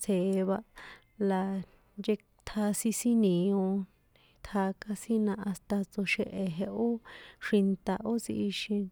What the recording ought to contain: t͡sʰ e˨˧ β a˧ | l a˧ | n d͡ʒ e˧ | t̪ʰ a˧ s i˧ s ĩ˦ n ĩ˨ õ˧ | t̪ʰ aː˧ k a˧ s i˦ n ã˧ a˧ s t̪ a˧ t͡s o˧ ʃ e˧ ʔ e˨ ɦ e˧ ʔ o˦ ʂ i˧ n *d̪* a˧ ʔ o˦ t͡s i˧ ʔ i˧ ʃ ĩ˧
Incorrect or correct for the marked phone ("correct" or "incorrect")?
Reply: incorrect